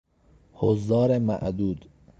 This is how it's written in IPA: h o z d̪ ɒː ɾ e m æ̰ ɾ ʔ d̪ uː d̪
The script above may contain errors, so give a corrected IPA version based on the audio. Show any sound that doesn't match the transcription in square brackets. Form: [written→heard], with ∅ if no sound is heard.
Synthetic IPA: h o z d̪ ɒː ɾ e m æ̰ [ɾ→∅] ʔ d̪ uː d̪